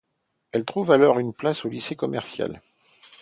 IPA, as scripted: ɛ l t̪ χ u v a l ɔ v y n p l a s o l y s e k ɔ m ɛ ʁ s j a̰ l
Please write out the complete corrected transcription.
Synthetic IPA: ɛ l t̪ χ u v a l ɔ ʁ y n p l a s o l i s e k ɔ m ɛ ʁ s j a̰ l